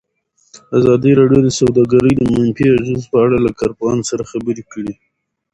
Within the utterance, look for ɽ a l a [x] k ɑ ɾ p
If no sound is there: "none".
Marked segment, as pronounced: none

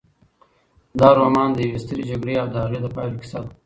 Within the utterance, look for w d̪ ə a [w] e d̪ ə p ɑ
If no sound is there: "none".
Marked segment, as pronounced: ɣ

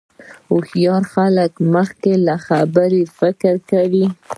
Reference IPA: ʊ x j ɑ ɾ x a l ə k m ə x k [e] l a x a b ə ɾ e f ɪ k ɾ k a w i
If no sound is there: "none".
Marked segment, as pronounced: e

